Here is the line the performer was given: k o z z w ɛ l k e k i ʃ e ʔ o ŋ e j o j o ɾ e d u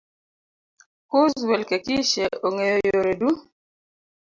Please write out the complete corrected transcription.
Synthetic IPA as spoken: k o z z w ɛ l k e k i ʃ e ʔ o ŋ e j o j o ɾ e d u